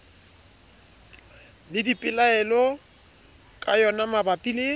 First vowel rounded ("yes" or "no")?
no